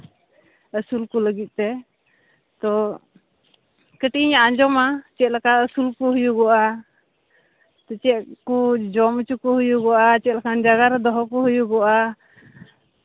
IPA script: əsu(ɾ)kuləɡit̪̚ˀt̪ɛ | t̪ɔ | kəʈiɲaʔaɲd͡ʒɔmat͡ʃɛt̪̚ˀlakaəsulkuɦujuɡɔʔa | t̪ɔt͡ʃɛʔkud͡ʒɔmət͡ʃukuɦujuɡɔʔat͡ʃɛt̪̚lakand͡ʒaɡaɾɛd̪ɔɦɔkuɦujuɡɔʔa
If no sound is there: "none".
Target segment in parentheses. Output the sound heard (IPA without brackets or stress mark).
l